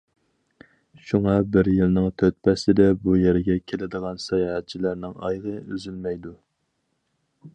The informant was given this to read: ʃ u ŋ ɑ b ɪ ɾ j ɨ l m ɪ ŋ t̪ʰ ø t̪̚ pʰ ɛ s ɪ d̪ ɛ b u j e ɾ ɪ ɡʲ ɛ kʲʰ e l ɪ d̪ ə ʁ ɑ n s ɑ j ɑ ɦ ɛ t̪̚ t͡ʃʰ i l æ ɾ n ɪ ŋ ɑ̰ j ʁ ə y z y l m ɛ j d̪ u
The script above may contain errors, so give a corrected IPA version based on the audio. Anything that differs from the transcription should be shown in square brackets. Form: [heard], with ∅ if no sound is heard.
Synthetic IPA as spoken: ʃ u ŋ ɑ b ɪ ɾ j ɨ l [n] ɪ ŋ t̪ʰ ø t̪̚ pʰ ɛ s ɪ d̪ ɛ b u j e ɾ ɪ ɡʲ ɛ kʲʰ e l ɪ d̪ ə ʁ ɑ n s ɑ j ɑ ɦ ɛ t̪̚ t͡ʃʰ i l æ ɾ n ɪ ŋ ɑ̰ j ʁ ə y z y l m ɛ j d̪ u